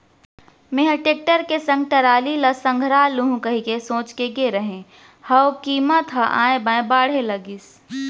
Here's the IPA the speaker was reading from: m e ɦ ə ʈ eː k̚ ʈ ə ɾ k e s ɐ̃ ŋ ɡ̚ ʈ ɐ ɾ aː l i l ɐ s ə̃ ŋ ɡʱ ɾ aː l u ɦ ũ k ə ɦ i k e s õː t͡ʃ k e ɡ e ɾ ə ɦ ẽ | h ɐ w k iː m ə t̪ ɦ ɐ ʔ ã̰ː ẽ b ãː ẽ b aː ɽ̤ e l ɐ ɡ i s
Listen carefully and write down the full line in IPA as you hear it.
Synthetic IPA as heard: m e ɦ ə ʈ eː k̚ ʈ ə ɾ k e s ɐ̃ ŋ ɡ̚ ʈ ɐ ɾ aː l i l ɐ s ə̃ ŋ ɡʱ ɾ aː l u ɦ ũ k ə ɦ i k e s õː t͡ʃ k e ɡ e ɾ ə ɦ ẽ | h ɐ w k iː m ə t̪ ɦ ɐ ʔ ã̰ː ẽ b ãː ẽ b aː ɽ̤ e l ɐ ɡ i s